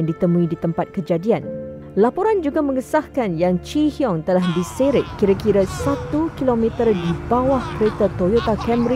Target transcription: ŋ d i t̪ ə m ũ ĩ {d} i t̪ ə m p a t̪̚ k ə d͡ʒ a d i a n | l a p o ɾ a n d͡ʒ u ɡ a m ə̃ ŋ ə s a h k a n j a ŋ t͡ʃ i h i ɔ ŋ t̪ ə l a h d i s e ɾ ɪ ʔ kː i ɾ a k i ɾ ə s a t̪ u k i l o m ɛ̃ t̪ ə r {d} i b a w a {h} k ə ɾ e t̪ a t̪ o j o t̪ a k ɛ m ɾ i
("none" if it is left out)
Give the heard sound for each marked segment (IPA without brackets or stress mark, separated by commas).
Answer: d, d, h